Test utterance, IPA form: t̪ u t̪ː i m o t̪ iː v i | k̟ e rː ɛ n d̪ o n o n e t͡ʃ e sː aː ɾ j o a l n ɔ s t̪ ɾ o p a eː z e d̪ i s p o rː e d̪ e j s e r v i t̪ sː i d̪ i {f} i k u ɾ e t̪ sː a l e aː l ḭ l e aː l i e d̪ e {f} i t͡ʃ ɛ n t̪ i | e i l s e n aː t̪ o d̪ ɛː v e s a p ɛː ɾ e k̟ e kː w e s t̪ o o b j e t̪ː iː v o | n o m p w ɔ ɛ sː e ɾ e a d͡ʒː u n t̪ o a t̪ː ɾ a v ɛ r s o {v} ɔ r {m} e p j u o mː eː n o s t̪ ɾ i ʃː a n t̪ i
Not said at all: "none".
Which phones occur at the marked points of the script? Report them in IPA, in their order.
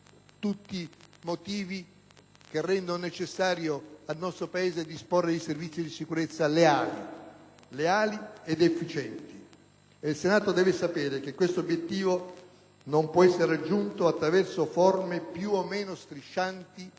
s, fː, f, m

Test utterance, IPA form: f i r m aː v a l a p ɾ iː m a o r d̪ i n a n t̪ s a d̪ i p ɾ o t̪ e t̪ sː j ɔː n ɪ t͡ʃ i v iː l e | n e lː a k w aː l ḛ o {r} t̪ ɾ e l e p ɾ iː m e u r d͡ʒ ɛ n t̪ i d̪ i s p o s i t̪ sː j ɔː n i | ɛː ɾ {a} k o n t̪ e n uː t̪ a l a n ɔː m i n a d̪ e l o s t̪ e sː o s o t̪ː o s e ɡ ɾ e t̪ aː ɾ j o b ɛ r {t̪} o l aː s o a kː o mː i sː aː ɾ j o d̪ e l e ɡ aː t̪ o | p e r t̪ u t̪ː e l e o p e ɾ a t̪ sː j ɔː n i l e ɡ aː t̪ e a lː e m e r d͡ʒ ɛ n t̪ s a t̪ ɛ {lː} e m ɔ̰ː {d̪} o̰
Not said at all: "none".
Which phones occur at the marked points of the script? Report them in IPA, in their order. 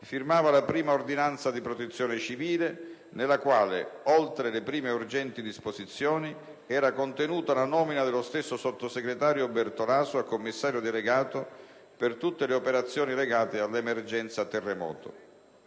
l, a, t̪, rː, t̪

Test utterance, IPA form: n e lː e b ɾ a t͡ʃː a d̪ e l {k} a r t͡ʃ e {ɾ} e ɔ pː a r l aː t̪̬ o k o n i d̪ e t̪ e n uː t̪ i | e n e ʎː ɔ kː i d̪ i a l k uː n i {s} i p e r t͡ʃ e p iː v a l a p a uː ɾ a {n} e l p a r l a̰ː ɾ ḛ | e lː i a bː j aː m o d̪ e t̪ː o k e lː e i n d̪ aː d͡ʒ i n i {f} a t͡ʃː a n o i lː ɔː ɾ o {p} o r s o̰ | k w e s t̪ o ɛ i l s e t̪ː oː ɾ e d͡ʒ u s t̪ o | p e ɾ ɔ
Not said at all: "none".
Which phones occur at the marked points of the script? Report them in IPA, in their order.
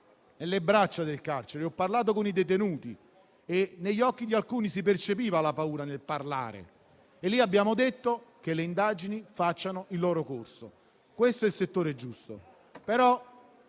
k, ɾ, s, n, f, k

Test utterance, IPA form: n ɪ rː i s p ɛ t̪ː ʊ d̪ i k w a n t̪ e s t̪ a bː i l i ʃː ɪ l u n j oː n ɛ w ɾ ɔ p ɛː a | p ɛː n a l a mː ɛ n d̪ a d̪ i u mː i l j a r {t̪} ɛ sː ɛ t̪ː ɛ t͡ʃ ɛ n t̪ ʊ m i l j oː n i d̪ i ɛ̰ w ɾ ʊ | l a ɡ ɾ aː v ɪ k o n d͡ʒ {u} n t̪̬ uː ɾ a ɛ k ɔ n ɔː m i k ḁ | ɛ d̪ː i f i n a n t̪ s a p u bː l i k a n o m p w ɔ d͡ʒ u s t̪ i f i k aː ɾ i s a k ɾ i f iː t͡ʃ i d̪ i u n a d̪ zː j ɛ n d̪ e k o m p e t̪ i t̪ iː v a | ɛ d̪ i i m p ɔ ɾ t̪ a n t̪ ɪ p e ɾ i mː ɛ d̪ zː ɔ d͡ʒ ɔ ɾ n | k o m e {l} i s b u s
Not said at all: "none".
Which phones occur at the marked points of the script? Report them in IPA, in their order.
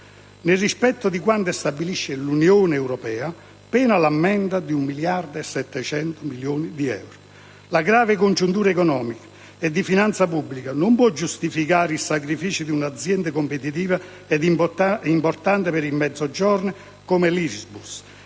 d̪, u, l

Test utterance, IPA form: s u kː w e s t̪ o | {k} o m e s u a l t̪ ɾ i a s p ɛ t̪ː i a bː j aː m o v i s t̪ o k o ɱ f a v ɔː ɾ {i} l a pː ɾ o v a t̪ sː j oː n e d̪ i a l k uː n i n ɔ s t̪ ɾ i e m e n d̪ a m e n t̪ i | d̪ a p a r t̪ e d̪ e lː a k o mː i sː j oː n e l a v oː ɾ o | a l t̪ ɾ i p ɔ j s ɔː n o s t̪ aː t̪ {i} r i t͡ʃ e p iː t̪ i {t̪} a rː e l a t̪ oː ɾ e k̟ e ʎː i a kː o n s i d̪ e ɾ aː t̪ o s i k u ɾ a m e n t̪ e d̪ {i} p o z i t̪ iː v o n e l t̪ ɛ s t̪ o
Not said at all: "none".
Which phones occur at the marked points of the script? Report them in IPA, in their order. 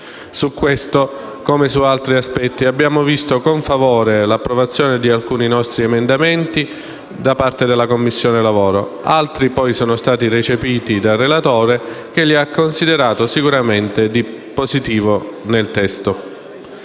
k, e, i, d̪, i

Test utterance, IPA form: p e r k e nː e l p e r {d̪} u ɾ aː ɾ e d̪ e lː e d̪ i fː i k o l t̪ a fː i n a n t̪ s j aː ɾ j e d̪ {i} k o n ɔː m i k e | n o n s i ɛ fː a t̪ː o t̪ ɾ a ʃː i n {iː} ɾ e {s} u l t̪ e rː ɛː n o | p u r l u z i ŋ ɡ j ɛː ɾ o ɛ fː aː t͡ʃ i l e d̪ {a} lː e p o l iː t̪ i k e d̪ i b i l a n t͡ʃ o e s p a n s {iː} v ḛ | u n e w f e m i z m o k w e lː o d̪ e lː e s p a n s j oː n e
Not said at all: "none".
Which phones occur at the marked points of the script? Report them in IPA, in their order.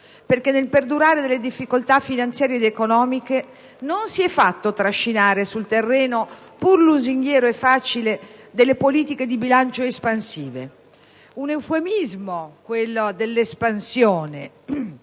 d̪, e, aː, s, e, iː

